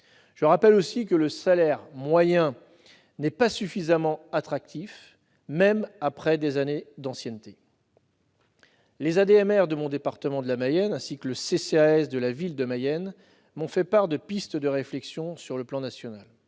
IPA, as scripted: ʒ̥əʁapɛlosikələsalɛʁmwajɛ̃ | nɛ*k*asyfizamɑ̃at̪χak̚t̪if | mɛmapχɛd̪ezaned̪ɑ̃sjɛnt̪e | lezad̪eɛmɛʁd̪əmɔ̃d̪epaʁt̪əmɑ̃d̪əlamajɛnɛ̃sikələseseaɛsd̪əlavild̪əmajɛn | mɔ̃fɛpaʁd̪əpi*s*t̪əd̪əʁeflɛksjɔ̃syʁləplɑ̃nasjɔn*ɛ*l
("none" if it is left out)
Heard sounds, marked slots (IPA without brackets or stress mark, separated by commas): p, s, a